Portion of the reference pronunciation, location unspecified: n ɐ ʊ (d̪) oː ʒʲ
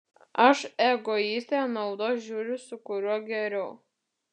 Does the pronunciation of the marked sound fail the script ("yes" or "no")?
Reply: no